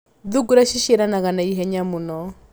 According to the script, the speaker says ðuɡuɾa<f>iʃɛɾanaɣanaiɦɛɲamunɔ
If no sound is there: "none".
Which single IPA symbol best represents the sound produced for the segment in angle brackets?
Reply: ʃ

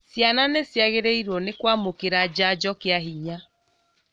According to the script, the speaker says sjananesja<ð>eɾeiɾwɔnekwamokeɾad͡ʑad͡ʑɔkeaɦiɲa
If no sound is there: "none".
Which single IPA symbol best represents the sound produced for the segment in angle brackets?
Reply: ɣ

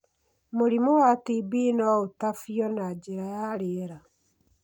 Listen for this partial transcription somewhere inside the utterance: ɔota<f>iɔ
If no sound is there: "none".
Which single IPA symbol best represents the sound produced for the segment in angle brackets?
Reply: f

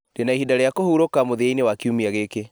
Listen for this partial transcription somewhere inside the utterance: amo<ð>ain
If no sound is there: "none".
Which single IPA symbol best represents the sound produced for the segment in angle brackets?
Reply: ð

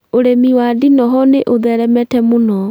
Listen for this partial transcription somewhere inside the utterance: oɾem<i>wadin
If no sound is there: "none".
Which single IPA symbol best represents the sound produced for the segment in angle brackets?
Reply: i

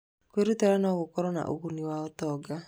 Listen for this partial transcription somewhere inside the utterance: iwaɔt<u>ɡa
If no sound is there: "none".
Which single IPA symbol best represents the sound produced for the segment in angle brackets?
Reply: ɔ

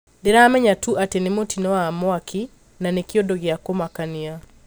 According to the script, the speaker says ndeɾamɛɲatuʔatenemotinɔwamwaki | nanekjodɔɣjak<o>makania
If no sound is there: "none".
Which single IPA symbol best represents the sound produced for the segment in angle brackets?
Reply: o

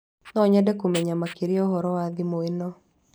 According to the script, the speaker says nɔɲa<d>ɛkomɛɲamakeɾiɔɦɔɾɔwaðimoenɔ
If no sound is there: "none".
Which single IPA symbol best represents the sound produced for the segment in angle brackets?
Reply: d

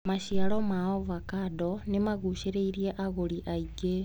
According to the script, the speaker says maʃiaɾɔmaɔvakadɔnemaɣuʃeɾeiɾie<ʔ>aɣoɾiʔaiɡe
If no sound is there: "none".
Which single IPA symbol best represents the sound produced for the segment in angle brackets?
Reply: ʔ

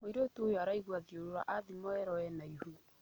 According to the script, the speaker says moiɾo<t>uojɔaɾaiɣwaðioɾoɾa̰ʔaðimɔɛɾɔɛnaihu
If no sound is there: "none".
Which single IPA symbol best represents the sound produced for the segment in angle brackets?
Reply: t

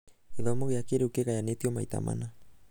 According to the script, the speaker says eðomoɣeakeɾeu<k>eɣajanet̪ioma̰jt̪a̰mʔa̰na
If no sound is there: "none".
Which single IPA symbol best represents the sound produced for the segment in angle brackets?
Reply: k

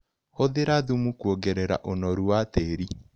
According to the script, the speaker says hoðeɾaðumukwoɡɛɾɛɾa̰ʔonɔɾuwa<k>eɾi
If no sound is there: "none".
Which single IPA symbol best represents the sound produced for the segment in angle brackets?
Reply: t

